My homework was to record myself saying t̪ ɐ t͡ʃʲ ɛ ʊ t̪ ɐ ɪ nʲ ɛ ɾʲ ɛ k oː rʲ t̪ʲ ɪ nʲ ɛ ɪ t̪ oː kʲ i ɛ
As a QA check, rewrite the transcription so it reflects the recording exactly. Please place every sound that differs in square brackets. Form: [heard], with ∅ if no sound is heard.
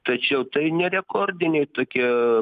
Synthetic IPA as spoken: t̪ ɐ t͡ʃʲ ɛ ʊ t̪ ɐ ɪ nʲ ɛ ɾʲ ɛ k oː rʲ [d̪ʲ] ɪ nʲ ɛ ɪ t̪ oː kʲ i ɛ